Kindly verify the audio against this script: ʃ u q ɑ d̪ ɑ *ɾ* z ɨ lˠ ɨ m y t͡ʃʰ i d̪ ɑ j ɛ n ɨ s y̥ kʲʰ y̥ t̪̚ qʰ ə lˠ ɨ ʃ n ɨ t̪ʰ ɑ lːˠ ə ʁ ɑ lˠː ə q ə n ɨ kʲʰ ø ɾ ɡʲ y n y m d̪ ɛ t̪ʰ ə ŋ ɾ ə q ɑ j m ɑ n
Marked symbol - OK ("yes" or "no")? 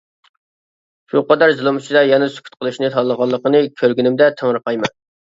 yes